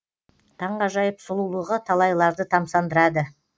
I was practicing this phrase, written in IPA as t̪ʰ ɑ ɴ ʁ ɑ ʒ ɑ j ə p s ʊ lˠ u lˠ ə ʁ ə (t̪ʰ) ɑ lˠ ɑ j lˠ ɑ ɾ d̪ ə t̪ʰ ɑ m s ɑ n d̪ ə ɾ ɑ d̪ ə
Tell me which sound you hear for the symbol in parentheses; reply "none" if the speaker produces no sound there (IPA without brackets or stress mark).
t̪ʰ